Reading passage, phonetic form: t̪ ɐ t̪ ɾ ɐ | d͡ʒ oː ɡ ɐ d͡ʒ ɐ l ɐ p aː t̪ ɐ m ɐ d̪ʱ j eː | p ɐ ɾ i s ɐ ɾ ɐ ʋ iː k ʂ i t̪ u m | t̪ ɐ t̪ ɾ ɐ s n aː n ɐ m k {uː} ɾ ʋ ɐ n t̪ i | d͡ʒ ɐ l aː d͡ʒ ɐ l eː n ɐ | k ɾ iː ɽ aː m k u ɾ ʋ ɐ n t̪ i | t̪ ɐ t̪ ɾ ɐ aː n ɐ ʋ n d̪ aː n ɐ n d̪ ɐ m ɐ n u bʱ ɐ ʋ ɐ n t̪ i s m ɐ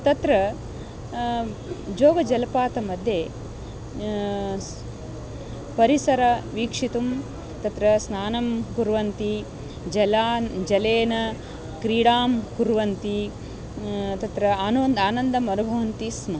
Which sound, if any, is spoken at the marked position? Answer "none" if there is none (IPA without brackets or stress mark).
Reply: u